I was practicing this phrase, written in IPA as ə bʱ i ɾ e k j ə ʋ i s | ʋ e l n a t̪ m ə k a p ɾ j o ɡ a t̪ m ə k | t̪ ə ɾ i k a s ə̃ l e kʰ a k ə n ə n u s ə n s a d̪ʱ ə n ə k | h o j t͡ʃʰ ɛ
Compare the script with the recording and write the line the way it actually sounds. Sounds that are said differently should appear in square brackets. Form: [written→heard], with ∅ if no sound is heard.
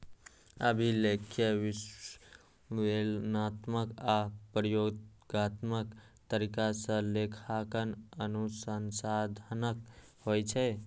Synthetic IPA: ə bʱ i [ɾ→l] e [k→kʰ] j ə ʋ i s | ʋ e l n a t̪ m ə k a p ɾ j o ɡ a t̪ m ə k | t̪ ə ɾ i k a s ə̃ l e kʰ a k ə n ə n u s ə n s a d̪ʱ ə n ə k | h o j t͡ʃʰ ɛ